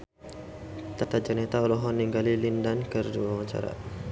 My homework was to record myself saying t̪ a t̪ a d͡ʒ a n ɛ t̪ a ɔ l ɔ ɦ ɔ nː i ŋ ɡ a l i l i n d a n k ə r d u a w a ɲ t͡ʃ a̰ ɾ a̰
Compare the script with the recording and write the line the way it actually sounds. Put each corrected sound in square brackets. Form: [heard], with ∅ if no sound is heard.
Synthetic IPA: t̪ a t̪ a d͡ʒ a n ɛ t̪ a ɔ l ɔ ɦ ɔ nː i ŋ ɡ a l i l i n d a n k ə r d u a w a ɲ t͡ʃ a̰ ɾ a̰